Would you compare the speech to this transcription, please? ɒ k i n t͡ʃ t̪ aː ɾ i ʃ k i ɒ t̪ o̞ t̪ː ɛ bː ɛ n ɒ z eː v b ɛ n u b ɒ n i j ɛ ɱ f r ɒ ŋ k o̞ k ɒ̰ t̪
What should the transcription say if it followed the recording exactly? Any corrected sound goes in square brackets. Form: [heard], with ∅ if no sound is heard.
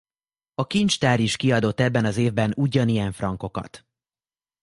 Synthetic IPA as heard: ɒ k i n t͡ʃ t̪ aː ɾ i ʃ k i ɒ [d̪] o̞ t̪ː ɛ bː ɛ n ɒ z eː v b ɛ n u [ɟ] ɒ n i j ɛ ɱ f r ɒ ŋ k o̞ k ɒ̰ t̪